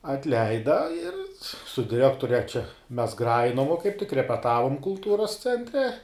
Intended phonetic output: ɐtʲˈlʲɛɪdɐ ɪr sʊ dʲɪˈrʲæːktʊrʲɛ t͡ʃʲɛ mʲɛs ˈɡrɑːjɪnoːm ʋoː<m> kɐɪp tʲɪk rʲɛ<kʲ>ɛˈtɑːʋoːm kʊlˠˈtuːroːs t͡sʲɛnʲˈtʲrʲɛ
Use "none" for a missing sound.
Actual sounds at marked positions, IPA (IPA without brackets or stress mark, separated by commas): none, pʲ